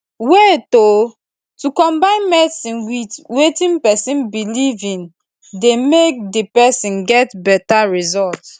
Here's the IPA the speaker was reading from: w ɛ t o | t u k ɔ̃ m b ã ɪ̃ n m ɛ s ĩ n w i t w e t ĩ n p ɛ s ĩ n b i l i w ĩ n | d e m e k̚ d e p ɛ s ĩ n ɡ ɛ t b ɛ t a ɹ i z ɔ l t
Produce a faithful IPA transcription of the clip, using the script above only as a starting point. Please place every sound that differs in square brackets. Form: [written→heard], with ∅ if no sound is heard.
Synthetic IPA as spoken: w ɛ t o | t u k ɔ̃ m b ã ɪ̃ n m ɛ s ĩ n w i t w e t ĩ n p ɛ s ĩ n b i l i [w→v] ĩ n | d e m e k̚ d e p ɛ s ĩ n ɡ ɛ t b ɛ t a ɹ i z ɔ l t